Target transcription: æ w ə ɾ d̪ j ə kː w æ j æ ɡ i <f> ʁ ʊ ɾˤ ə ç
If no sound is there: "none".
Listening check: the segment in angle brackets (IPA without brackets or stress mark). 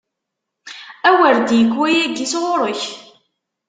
s